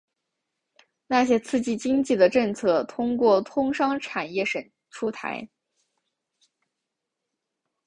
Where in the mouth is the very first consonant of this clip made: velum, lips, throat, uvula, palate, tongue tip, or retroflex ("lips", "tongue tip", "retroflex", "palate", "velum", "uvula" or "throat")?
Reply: tongue tip